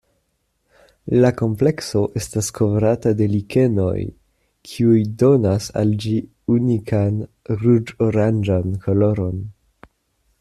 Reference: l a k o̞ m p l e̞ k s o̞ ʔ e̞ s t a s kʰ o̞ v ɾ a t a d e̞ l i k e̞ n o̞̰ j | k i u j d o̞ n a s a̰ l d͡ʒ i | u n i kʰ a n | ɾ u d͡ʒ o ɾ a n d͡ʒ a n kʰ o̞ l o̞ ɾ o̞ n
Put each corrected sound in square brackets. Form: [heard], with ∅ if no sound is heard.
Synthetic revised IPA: l a k o̞ m p l e̞ k s o̞ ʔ e̞ s t a s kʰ o̞ v ɾ a t a d e̞ l i k e̞ n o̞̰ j | [kʰ] i u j d o̞ n a s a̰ l d͡ʒ i | u n i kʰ a n | ɾ u d͡ʒ o ɾ a n d͡ʒ a n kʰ o̞ l o̞ ɾ o̞ n